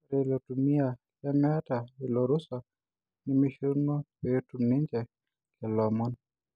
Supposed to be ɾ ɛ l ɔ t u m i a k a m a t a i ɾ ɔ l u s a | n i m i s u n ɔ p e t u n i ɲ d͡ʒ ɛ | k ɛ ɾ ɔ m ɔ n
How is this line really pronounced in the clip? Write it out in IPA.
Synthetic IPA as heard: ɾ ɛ l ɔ t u m i a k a m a t a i l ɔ ɾ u s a | n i m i ʃ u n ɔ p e t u n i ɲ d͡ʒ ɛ | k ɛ l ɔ m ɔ n